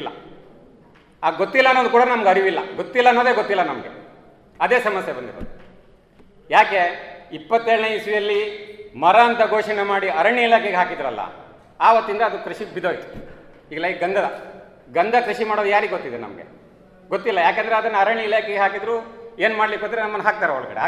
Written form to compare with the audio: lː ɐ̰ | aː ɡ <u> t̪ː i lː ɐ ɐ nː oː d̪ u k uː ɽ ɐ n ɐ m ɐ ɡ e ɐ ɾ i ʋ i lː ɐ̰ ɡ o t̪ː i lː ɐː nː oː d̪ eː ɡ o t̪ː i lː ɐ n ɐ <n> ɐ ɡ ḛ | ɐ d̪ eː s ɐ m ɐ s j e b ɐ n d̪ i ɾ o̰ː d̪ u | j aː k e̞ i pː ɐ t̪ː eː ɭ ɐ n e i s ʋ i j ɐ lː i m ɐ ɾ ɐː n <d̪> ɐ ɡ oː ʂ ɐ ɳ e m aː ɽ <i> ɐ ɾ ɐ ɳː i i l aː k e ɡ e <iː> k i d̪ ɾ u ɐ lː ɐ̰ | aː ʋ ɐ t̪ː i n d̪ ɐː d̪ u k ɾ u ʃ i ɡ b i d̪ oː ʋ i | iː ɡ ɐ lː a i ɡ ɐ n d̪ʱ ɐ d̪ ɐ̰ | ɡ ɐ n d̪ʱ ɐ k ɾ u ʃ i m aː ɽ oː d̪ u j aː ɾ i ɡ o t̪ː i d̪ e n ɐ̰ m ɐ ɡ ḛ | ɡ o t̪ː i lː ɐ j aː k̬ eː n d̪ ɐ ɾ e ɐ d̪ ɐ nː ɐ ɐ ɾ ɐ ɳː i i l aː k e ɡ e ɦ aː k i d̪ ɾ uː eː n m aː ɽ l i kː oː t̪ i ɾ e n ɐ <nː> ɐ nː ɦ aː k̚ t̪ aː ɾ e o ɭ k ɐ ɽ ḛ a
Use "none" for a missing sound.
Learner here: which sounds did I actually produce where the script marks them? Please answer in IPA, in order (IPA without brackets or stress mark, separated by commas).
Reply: o, m, t̪, i, aː, mː